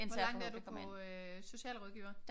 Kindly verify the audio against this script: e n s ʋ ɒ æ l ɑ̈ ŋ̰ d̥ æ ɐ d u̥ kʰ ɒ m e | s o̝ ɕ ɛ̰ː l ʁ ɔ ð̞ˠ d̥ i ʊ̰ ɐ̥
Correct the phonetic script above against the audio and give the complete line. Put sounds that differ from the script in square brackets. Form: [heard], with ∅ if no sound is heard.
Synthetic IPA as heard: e n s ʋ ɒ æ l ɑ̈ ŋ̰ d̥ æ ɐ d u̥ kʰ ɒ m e | s o̝ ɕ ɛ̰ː l ʁ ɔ ð̞ˠ [ɡ̥] i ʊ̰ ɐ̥